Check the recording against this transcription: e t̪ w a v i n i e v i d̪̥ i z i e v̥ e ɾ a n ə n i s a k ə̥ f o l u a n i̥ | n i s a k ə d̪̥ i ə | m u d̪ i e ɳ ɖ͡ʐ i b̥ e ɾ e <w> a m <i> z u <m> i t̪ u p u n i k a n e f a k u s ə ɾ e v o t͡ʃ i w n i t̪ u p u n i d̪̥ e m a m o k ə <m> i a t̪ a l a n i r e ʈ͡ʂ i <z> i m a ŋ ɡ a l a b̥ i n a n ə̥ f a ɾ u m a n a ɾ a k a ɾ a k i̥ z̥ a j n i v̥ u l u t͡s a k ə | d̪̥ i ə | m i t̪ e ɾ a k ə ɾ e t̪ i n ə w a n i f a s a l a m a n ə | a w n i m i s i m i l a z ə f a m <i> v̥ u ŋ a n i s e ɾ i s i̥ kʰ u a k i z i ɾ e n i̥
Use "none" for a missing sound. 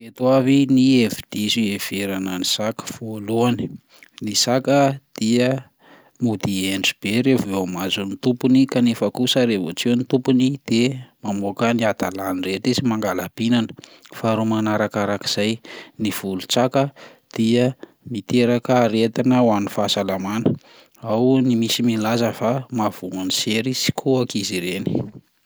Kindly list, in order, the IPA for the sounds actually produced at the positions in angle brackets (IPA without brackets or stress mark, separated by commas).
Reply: v, a, n, n, z, a